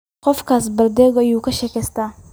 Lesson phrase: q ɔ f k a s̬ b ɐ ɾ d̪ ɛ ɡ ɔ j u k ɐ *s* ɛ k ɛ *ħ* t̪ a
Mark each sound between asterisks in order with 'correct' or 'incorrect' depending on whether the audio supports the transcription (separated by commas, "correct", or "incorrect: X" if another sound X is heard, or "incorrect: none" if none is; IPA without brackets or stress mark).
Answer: incorrect: ʃ, incorrect: s